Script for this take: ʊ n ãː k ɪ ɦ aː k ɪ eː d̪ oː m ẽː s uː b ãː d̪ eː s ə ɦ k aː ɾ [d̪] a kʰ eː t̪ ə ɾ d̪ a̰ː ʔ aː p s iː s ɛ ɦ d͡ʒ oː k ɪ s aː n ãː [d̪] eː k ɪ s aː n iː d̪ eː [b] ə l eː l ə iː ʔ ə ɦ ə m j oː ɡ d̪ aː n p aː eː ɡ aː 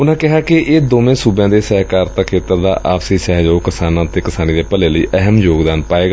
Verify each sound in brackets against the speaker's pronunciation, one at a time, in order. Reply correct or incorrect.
incorrect: t̪, incorrect: t̪, incorrect: p

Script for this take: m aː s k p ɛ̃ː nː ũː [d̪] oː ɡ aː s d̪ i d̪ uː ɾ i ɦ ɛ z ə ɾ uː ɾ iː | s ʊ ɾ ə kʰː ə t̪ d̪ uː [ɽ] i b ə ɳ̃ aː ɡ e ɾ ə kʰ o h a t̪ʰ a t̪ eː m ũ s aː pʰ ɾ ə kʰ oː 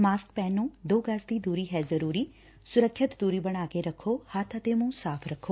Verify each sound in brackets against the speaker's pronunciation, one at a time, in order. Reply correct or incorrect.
correct, incorrect: ɾ

